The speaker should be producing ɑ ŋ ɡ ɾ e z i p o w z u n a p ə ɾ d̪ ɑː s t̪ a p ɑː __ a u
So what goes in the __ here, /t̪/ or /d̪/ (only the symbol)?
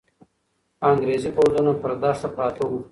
t̪